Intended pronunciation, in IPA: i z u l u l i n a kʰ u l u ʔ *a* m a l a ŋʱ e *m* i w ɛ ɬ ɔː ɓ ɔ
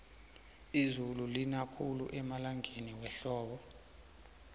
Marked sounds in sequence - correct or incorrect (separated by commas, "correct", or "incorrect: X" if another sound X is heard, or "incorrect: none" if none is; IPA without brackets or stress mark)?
incorrect: ɛ, incorrect: n